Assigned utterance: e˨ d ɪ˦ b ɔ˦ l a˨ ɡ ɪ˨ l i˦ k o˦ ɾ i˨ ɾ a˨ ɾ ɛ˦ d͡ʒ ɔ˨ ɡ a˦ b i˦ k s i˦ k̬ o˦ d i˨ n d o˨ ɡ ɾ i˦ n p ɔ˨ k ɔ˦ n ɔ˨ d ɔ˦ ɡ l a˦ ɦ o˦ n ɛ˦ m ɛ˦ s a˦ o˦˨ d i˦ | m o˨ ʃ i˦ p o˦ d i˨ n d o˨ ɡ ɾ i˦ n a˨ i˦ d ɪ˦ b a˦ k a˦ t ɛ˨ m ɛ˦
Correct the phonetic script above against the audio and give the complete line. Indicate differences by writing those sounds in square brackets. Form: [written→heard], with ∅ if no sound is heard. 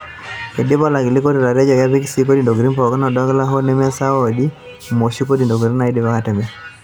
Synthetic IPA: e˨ d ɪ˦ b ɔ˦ l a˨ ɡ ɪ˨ l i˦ k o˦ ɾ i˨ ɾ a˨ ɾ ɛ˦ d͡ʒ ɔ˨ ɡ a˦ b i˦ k s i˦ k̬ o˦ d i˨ n d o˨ ɡ ɾ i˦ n p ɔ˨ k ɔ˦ n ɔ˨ d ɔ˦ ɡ l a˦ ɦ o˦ n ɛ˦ m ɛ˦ s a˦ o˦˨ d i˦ | m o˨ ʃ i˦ [p→k] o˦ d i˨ n d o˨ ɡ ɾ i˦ n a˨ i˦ d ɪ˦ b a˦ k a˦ t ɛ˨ m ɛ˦